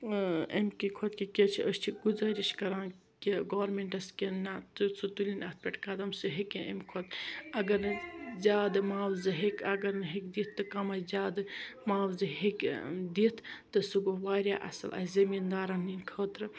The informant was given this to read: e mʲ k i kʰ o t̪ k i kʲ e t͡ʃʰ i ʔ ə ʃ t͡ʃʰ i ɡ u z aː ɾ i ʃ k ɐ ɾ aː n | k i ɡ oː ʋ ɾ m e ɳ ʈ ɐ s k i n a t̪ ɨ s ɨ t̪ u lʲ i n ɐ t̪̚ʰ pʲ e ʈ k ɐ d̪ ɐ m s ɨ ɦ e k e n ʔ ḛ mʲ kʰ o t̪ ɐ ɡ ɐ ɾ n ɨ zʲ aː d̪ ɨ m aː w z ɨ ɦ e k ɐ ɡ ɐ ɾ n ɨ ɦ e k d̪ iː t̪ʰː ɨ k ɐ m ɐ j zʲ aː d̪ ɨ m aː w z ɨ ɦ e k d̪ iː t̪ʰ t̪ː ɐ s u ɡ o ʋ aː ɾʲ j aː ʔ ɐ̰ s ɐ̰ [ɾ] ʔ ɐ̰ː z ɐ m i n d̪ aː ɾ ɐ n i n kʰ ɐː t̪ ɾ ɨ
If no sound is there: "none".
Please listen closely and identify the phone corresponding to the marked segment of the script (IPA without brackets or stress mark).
l